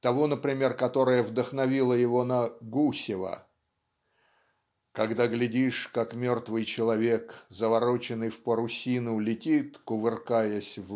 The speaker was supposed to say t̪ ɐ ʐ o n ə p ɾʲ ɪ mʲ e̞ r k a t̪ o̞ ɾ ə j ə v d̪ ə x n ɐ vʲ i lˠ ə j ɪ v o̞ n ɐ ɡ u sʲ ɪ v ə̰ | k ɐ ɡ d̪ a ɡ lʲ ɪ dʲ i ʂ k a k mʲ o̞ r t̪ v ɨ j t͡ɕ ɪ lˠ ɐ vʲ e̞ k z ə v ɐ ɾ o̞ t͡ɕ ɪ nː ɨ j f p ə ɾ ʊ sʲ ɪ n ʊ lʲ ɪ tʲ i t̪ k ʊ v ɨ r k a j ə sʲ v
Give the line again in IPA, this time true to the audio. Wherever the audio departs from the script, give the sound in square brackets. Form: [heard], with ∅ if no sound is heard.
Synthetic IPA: t̪ ɐ [v] o n ə p ɾʲ ɪ mʲ e̞ r k [ɐ] t̪ o̞ ɾ ə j ə v d̪ ə x n ɐ vʲ i lˠ ə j ɪ v o̞ n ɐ ɡ u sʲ ɪ v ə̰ | k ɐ ɡ d̪ a ɡ lʲ ɪ dʲ i ʂ k a k mʲ o̞ r t̪ v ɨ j t͡ɕ ɪ lˠ ɐ vʲ e̞ k z ə v ɐ ɾ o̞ t͡ɕ ɪ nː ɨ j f p ə ɾ ʊ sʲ [i] n ʊ lʲ ɪ tʲ i t̪ k ʊ v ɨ r k a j ə sʲ v

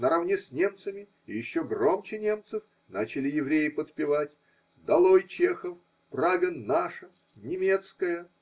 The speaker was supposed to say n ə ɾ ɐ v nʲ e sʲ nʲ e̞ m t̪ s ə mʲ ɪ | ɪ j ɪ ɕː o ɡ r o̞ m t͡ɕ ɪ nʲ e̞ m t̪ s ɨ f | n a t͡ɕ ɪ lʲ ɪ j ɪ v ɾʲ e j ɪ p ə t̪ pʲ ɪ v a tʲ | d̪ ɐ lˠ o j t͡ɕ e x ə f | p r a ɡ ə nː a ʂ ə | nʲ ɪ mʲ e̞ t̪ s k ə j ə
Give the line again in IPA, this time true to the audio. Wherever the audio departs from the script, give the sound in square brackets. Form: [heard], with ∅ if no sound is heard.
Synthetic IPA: n ə ɾ ɐ v nʲ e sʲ nʲ e̞ m t̪ s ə mʲ ɪ | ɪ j ɪ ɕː o ɡ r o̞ m t͡ɕ ɪ nʲ e̞ m t̪ s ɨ f | n a t͡ɕ ɪ lʲ ɪ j ɪ v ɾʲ e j ɪ p ə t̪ pʲ ɪ v a tʲ | d̪ ɐ lˠ o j t͡ɕ e x ə f | p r a ɡ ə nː a ʂ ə | nʲ ɪ mʲ e̞ t̪ s k ə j ə

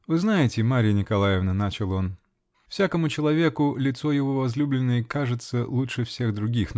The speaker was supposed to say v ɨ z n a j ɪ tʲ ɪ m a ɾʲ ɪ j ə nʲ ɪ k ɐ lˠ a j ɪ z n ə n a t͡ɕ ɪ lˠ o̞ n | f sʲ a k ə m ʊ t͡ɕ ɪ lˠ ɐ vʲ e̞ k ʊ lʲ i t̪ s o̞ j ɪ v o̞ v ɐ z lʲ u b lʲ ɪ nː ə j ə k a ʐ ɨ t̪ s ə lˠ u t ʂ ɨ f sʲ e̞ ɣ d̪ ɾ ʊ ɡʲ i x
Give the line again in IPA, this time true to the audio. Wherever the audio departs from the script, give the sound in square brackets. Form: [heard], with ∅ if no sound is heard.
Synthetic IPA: v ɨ z n a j ɪ tʲ ɪ m a ɾʲ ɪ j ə nʲ ɪ k ɐ lˠ a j ɪ [v] n ə n a t͡ɕ ɪ lˠ o̞ n | f sʲ a k ə m ʊ t͡ɕ ɪ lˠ ɐ vʲ e̞ k ʊ lʲ [ɪ] t̪ s o̞ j ɪ v o̞ v ɐ z lʲ u b lʲ ɪ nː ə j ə k a ʐ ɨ t̪ s ə lˠ u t ʂ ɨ f sʲ e̞ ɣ d̪ ɾ ʊ ɡʲ i x

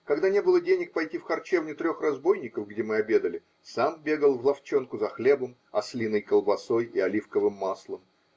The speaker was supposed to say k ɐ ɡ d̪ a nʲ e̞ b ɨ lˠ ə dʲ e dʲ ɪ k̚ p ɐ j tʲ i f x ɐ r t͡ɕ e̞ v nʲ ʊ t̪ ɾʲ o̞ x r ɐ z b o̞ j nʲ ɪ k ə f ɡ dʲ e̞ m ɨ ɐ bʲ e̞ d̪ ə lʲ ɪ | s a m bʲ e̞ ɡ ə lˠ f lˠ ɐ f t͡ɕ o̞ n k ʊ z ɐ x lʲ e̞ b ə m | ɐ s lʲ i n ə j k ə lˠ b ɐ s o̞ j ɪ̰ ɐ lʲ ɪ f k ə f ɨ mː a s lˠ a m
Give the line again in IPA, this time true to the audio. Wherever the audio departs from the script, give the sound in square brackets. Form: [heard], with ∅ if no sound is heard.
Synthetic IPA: k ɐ ɡ d̪ a nʲ e̞ b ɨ lˠ ə dʲ e [nʲ] ɪ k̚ p ɐ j tʲ i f x ɐ r t͡ɕ e̞ v nʲ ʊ t̪ ɾʲ o̞ x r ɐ z b o̞ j nʲ ɪ k ə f ɡ dʲ e̞ m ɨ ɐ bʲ e̞ d̪ ə lʲ ɪ | s a m bʲ e̞ ɡ ə lˠ [v] lˠ ɐ f t͡ɕ o̞ n k ʊ z ɐ x lʲ e̞ b ə m | ɐ s lʲ i n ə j k ə lˠ b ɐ s o̞ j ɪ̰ ɐ lʲ [i] f k ə [v] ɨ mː a s lˠ [ə] m

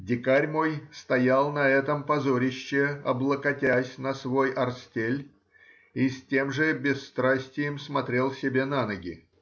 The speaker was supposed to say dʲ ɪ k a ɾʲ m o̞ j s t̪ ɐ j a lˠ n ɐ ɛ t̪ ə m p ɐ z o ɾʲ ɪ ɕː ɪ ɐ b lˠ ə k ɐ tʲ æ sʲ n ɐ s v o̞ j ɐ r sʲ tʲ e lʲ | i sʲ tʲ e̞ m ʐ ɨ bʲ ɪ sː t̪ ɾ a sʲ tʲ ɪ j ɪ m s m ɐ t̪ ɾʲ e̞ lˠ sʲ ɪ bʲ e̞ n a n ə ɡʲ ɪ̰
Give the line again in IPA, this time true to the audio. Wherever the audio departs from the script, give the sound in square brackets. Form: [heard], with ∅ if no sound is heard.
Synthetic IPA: dʲ ɪ k a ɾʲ m o̞ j s t̪ ɐ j a lˠ n ɐ ɛ t̪ ə m p ɐ z o ɾʲ ɪ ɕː ɪ ɐ b lˠ ə k ɐ tʲ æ sʲ n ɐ s v o̞ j ɐ r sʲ tʲ e lʲ | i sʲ tʲ e̞ m ʐ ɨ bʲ ɪ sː t̪ ɾ a sʲ tʲ ɪ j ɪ m s m ɐ t̪ ɾʲ e̞ lˠ sʲ ɪ bʲ e̞ n a n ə ɡʲ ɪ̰

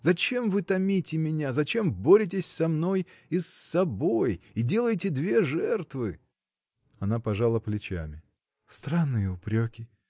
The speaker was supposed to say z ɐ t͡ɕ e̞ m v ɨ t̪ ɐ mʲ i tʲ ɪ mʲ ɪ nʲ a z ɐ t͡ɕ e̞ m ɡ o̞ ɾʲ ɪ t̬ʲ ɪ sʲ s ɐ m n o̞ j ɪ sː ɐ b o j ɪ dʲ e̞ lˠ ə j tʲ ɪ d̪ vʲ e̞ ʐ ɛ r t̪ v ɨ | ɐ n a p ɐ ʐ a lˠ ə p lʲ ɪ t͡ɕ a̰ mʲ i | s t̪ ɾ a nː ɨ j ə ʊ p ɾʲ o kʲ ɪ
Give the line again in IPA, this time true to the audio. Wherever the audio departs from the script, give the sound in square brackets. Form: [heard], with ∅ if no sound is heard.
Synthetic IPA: z ɐ t͡ɕ e̞ m v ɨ t̪ ɐ mʲ i tʲ ɪ mʲ ɪ nʲ a z ɐ t͡ɕ e̞ m [b] o̞ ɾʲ ɪ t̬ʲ ɪ sʲ s ɐ m n o̞ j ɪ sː ɐ b o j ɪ dʲ e̞ lˠ ə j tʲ ɪ d̪ vʲ e̞ ʐ ɛ r t̪ v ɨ | ɐ n a p ɐ ʐ a lˠ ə p lʲ ɪ t͡ɕ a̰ mʲ [ɪ] | s t̪ ɾ a nː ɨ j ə ʊ p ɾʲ o kʲ ɪ

